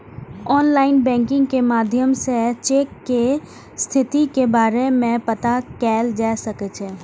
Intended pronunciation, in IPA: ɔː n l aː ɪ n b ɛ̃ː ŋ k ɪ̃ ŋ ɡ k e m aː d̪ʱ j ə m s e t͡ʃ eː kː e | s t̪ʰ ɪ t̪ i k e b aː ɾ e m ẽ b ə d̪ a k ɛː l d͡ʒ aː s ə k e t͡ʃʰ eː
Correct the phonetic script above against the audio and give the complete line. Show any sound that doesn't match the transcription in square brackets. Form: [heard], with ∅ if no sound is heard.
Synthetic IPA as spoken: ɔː n l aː ɪ n b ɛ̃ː ŋ k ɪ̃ ŋ ɡ k e m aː d̪ʱ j ə m s e t͡ʃ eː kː e | s t̪ʰ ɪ t̪ i k e b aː ɾ e m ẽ [p] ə [t̪] a k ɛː l d͡ʒ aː s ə k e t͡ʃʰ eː

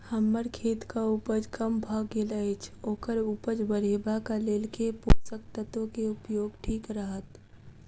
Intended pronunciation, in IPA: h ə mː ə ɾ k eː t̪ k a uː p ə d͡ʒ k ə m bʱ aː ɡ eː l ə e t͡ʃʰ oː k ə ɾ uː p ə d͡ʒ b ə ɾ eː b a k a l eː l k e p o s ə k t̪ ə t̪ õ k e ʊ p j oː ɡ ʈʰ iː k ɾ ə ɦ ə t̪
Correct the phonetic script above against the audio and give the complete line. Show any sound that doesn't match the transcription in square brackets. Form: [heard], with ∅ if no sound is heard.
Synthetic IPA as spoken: h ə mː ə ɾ [kʰ] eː t̪ k a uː p ə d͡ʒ k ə m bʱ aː ɡ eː l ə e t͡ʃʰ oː k ə ɾ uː p ə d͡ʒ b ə ɾ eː b a k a l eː l k e p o s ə k t̪ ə t̪ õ k e ʊ p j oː ɡ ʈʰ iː k ɾ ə ɦ ə t̪

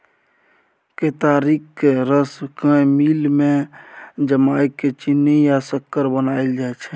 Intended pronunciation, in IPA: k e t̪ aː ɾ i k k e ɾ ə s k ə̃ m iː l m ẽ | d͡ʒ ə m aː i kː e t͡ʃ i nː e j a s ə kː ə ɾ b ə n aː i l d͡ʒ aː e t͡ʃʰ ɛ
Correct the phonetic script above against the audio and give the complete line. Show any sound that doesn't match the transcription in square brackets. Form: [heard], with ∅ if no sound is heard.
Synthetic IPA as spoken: k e t̪ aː ɾ i k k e ɾ ə s k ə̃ m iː l m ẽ | d͡ʒ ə m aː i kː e t͡ʃ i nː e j a s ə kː ə ɾ b ə n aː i l d͡ʒ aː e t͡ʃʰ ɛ

